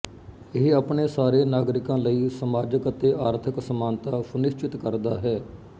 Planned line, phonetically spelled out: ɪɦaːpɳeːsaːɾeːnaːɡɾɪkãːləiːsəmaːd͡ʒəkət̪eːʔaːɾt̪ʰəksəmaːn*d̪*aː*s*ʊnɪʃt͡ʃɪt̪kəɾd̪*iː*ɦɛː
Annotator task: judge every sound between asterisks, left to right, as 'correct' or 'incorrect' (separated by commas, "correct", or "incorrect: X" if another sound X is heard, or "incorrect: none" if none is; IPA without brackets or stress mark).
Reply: incorrect: t̪, correct, incorrect: aː